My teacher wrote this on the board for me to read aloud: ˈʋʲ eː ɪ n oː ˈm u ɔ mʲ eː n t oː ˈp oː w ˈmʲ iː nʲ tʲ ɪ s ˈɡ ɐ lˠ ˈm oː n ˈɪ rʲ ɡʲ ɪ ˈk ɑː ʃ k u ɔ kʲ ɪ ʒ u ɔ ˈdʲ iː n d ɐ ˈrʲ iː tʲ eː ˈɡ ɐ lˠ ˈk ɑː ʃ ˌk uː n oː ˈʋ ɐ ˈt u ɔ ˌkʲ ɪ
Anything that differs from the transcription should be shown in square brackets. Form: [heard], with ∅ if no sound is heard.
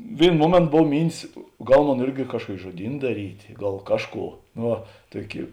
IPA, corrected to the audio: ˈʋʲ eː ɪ n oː ˈm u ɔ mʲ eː n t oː [ˈb] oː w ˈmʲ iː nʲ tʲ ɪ s ˈɡ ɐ lˠ ˈm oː n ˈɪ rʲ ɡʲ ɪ ˈk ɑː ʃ k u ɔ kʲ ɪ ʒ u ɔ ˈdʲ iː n d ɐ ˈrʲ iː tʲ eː ˈɡ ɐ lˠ ˈk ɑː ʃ ˌk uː n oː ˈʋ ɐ ˈt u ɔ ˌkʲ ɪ